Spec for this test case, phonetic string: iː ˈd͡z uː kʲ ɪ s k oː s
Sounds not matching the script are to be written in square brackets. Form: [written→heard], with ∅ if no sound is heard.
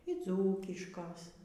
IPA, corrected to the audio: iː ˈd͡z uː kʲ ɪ [s→ʃ] k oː s